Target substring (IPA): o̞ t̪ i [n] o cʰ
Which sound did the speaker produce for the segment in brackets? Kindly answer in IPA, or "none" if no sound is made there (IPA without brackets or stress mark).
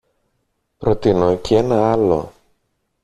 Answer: n